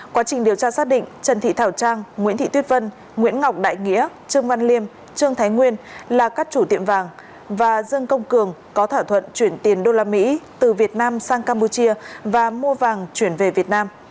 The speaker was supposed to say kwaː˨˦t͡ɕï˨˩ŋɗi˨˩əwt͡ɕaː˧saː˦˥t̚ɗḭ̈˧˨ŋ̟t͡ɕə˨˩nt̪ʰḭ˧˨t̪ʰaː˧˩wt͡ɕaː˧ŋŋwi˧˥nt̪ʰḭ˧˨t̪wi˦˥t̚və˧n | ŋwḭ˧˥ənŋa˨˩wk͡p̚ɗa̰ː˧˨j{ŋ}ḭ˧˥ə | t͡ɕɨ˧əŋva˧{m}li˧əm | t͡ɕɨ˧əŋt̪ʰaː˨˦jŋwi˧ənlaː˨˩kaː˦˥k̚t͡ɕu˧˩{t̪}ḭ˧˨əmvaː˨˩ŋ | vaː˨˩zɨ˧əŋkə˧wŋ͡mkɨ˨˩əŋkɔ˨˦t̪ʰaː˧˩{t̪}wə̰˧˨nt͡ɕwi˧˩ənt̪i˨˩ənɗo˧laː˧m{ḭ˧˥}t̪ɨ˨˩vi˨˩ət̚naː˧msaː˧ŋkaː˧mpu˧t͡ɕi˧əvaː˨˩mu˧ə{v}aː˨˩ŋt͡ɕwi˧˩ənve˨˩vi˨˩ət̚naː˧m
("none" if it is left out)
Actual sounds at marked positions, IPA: ŋ, n, t̪, t̪ʰ, ḭ˧˥, v

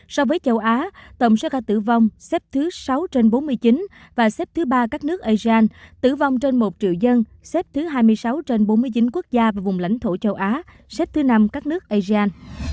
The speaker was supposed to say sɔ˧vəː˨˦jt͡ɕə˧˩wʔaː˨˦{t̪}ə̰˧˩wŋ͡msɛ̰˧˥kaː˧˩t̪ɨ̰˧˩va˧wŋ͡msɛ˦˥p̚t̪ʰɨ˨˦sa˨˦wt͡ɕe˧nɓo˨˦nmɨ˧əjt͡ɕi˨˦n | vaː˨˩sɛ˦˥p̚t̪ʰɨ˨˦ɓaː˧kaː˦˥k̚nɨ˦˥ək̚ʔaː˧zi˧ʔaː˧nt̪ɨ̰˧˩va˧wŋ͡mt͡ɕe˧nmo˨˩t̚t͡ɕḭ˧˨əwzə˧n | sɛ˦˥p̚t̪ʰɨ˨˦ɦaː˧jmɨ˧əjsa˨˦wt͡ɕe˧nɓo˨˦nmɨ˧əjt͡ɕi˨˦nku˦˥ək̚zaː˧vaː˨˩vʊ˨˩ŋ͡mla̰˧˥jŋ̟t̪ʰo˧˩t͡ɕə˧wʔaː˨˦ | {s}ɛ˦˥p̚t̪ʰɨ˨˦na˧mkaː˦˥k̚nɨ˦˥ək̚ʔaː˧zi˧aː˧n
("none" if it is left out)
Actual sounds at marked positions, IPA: t̪, s

